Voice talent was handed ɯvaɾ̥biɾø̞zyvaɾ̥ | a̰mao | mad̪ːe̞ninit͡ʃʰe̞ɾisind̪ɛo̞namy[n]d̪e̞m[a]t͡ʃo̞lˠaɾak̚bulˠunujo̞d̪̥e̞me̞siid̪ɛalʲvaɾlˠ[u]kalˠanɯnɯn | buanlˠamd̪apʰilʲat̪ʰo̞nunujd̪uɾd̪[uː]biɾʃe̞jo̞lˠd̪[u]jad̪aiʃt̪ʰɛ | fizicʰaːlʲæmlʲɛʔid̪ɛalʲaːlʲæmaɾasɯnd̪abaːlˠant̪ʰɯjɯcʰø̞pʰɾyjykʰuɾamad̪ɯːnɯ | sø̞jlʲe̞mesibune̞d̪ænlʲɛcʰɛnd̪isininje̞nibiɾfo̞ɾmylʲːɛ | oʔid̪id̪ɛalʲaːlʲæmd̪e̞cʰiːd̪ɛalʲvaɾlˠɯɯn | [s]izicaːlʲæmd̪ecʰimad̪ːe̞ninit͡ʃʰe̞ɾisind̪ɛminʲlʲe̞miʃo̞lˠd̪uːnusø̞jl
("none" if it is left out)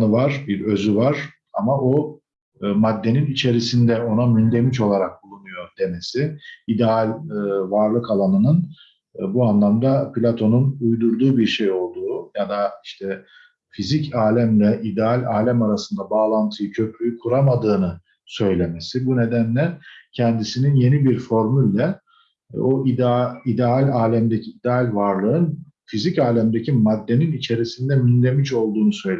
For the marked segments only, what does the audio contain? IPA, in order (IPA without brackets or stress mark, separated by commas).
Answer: n, i, ɯ, uː, uː, f